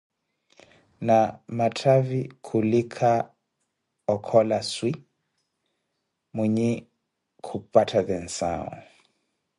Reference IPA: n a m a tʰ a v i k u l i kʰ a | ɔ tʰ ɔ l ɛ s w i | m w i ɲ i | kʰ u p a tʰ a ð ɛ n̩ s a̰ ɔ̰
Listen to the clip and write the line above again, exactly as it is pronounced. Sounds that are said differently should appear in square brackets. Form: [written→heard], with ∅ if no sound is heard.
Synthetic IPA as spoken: n a m a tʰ a v i [k→kʰ] u l i kʰ a | ɔ [tʰ→kʰ] ɔ l [ɛ→a] s w i | m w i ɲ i | kʰ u p a tʰ a ð ɛ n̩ s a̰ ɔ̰